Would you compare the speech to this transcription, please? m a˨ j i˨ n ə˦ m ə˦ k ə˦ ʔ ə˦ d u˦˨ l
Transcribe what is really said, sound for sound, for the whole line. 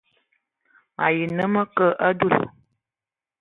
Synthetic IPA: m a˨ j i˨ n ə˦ m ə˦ k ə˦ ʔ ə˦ d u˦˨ l